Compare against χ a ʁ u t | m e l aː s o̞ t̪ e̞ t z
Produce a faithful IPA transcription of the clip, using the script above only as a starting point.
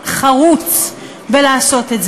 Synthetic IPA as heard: χ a ʁ u t͡s | b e l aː s o̞ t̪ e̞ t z